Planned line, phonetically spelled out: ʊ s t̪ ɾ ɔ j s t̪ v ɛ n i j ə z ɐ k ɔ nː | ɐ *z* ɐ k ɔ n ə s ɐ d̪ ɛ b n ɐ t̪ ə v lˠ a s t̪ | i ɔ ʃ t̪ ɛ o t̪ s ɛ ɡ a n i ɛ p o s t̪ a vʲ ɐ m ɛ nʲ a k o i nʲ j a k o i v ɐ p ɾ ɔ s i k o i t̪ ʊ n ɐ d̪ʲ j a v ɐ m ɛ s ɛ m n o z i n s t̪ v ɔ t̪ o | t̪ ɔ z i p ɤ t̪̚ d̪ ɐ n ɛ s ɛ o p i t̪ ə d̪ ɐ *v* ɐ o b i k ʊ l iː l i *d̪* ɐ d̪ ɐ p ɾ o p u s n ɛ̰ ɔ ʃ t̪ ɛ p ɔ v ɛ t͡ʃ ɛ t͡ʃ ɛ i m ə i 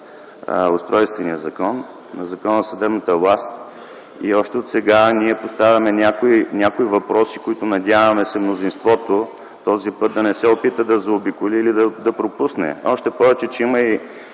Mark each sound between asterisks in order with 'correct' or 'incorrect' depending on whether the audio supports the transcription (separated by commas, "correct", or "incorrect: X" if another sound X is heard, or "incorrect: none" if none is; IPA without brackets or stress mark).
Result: correct, incorrect: z, correct